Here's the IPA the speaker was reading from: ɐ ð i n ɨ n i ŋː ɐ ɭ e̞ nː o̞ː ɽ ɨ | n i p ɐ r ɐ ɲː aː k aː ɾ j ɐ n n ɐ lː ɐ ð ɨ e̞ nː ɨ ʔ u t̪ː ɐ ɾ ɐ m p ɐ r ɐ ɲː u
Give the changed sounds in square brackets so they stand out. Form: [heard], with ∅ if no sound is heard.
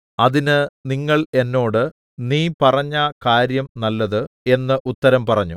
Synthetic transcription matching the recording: ɐ ð i n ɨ n i ŋː ɐ ɭ e̞ nː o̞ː ɽ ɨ | n [iː] p ɐ r ɐ ɲː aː k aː ɾ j ɐ [m] n ɐ lː ɐ ð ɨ e̞ nː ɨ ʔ u t̪ː ɐ ɾ ɐ m p ɐ r ɐ ɲː u